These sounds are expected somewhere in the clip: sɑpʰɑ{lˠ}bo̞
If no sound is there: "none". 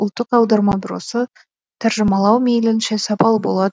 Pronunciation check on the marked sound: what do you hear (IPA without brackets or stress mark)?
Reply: lˠ